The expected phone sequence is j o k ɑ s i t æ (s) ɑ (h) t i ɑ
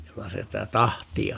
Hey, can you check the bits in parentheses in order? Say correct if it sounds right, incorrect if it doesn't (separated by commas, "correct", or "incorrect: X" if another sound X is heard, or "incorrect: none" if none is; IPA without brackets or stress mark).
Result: incorrect: t, correct